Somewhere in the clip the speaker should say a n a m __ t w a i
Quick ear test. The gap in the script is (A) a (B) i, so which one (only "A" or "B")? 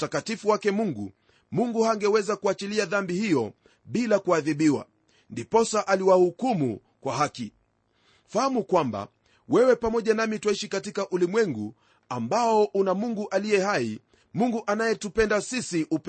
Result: B